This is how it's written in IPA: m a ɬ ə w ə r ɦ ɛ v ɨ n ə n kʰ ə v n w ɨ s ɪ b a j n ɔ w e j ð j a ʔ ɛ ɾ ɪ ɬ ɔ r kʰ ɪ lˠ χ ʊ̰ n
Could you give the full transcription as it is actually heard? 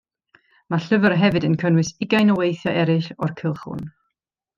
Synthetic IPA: m a ɬ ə v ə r ɦ ɛ v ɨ d ə n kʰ ə n w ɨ s ɪ ɡ a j n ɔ w e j θ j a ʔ ɛ ɾ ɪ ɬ ɔ r kʰ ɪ lˠ χ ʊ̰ n

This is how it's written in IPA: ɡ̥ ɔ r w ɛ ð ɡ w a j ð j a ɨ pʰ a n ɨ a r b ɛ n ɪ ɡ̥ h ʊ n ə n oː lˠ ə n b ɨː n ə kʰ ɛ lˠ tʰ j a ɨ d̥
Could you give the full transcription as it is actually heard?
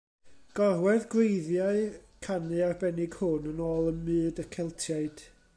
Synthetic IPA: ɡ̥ ɔ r w ɛ ð ɡ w e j ð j a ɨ kʰ a n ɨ a r b ɛ n ɪ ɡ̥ h ʊ n ə n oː lˠ ə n m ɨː d ə kʰ ɛ lˠ tʰ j a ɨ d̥

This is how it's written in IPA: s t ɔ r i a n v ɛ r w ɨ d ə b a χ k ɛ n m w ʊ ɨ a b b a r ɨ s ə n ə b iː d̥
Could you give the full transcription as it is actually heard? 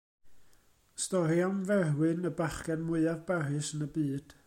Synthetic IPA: s t ɔ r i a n v ɛ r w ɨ n ə b a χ k ɛ n m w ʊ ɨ a v b a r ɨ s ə n ə b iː d̥

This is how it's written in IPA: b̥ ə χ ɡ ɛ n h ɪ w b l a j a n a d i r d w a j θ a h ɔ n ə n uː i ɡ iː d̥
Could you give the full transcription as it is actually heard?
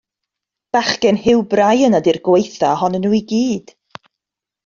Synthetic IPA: b̥ a χ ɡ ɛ n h ɪ w b r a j ə n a d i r ɡ w e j θ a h ɔ n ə n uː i ɡ iː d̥

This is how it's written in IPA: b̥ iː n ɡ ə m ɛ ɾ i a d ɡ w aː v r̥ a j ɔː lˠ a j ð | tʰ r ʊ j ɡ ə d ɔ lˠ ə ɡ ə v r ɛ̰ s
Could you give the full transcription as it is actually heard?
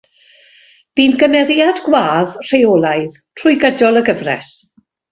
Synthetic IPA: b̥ iː n ɡ ə m ɛ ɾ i a d ɡ w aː ð r̥ e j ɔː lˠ a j ð | tʰ r ʊ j ɡ ə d ɔ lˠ ə ɡ ə v r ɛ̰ s

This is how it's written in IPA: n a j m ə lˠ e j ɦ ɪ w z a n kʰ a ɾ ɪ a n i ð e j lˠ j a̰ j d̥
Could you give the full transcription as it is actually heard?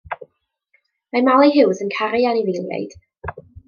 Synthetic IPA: m a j m a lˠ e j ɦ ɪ w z ə n kʰ a ɾ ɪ a n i v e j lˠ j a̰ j d̥

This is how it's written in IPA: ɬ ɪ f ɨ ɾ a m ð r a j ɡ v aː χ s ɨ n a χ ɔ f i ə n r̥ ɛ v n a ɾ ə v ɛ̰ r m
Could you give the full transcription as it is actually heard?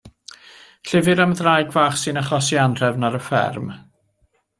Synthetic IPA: ɬ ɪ v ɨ ɾ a m ð r a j ɡ v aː χ s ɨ n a χ ɔ s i a n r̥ ɛ v n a ɾ ə f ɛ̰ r m

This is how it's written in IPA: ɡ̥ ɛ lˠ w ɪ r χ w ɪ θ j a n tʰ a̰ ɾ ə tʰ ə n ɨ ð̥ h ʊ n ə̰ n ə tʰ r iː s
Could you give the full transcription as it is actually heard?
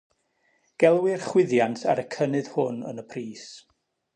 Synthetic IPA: ɡ̥ ɛ lˠ w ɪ r χ w ɪ ð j a n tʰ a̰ ɾ ə kʰ ə n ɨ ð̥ h ʊ n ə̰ n ə pʰ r iː s

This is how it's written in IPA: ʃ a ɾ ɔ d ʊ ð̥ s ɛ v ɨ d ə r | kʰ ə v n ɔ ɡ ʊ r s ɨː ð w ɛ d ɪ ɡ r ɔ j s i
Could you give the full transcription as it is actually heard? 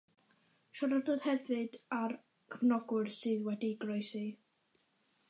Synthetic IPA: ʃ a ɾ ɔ d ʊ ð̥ h ɛ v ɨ d a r | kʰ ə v n ɔ ɡ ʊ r s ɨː ð w ɛ d i ɡ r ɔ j s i

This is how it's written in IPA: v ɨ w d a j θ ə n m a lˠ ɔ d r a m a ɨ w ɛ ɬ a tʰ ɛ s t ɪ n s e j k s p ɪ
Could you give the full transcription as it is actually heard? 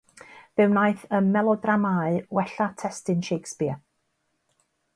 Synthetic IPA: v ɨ w n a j θ ə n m ɛ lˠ ɔ d r a m a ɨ w ɛ ɬ a tʰ ɛ s t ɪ n ʃ e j k s p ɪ

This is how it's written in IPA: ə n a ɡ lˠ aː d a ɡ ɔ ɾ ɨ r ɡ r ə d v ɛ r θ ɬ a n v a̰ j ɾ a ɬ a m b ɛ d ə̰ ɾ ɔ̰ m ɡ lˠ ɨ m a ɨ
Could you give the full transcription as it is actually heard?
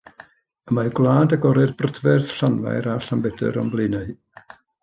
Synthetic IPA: ə m a ɡ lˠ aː d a ɡ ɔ ɾ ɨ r b r ə d v ɛ r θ ɬ a n v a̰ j ɾ a ɬ a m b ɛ d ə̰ ɾ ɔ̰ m b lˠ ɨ n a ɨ

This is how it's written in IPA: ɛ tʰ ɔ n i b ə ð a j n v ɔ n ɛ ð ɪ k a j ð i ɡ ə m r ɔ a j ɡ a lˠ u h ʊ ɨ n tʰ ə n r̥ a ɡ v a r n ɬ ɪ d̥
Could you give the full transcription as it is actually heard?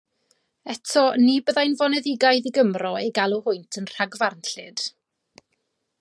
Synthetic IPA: ɛ tʰ ɔ n i b ə ð a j n v ɔ n ɛ ð ɪ ɡ a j ð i ɡ ə m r ɔ e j ɡ a lˠ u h ʊ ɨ n tʰ ə n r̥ a ɡ v a r n ɬ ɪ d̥

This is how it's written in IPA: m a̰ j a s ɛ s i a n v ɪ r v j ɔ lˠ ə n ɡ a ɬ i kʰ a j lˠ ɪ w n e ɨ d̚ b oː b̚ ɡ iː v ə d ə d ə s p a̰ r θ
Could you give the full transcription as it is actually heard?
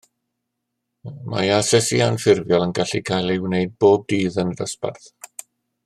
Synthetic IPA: m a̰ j a s ɛ s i a n f ɪ r v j ɔ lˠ ə n ɡ a ɬ i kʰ a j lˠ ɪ w n e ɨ d̚ b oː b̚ d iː ð ə n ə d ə s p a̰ r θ

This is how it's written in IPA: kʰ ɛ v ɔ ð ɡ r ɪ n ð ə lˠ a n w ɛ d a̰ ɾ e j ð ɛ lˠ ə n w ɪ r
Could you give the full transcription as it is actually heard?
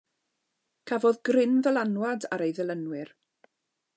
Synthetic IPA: kʰ a v ɔ ð ɡ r ɪ n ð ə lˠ a n w a d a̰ ɾ e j ð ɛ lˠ ə n w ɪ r

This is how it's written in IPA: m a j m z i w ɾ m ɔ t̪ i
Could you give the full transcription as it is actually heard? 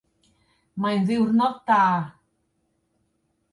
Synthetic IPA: m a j n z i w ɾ n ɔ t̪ a

